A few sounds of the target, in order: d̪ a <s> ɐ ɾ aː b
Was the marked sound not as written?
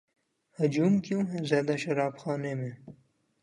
yes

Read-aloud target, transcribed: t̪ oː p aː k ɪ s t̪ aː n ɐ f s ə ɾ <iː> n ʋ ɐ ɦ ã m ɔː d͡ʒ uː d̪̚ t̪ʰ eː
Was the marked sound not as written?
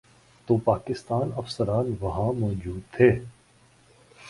yes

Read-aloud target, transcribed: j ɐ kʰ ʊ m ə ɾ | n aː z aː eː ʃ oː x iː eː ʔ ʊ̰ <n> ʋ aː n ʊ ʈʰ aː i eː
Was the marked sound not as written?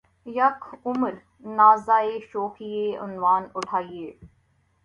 no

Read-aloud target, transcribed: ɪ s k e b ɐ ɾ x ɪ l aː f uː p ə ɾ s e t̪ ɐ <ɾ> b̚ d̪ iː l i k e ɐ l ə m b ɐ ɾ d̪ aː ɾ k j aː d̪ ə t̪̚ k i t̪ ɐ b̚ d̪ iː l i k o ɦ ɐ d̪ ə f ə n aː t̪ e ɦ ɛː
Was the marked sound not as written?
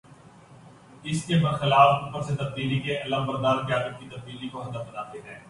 yes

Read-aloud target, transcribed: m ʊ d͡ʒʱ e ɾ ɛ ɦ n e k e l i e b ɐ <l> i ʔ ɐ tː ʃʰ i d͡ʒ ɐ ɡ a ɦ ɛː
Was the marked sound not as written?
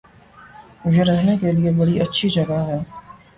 yes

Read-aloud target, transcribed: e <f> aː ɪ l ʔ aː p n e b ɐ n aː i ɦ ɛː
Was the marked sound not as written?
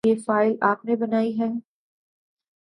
no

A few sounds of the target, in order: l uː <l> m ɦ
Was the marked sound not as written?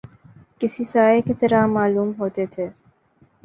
yes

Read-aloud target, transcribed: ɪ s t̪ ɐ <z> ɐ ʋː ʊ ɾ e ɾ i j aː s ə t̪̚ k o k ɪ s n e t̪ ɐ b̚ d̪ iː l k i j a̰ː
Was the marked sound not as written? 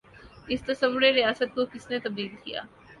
yes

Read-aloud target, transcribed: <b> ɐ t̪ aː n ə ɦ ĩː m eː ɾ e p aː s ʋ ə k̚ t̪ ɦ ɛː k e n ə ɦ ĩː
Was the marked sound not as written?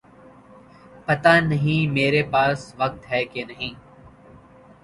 yes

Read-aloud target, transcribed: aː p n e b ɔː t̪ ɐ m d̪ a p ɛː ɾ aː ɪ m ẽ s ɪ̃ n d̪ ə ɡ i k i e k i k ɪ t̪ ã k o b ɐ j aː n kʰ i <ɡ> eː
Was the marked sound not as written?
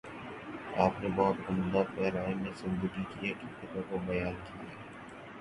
yes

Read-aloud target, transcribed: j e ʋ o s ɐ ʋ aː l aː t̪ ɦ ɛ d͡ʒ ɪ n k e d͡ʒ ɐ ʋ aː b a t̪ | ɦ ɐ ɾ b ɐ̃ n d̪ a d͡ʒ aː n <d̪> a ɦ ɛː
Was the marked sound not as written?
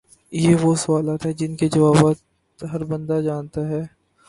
yes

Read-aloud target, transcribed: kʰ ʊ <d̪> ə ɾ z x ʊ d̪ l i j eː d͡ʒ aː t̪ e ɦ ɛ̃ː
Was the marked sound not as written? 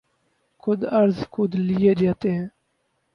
no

